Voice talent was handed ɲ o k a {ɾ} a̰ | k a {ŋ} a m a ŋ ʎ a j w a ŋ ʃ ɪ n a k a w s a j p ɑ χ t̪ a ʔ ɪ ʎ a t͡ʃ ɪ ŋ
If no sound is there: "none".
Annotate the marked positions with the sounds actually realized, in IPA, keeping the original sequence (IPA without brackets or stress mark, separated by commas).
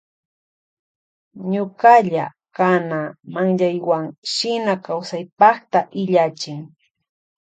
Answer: ʎ, n